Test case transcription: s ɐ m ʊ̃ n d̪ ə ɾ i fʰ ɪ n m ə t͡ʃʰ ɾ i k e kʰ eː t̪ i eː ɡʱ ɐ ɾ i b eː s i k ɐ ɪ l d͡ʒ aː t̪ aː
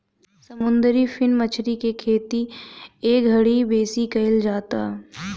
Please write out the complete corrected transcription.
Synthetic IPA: s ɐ m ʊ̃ n d̪ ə ɾ i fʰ ɪ n m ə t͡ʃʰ ɾ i k e kʰ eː t̪ i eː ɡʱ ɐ ɽ i b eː s i k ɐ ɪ l d͡ʒ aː t̪ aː